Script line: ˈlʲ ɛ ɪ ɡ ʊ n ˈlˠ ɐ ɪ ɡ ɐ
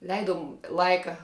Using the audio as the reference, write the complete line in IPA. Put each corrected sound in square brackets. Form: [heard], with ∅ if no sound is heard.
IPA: ˈlʲ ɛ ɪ [d] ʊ [m] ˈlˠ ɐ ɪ [k] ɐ